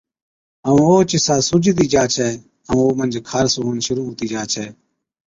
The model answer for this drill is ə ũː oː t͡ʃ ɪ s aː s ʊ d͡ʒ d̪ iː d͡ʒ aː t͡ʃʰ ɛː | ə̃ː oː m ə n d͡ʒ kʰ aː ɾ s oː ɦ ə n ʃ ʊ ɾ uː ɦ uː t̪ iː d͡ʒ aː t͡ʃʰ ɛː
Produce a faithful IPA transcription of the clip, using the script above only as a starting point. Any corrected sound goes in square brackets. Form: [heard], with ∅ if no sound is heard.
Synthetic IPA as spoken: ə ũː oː t͡ʃ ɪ s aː s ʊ d͡ʒ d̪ iː d͡ʒ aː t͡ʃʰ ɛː | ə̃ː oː m ə n d͡ʒ kʰ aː ɾ s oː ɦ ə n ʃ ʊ ɾ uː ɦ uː t̪ iː d͡ʒ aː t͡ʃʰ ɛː